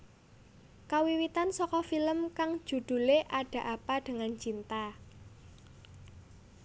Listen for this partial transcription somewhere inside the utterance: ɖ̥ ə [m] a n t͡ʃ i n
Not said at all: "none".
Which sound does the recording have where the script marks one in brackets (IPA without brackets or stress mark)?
ŋ